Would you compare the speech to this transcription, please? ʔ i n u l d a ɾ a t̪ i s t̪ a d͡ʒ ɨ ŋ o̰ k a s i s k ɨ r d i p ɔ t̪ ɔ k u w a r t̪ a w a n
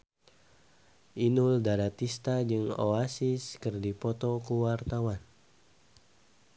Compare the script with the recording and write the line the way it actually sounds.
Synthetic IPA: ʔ i n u l d a ɾ a t̪ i s t̪ a d͡ʒ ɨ ŋ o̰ a s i s k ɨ r d i p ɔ t̪ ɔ k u w a r t̪ a w a n